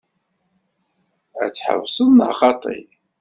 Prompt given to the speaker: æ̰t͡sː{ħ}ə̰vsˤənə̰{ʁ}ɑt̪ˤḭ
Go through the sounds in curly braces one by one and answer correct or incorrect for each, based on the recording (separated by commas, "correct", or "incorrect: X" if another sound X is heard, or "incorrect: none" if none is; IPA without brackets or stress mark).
correct, incorrect: χ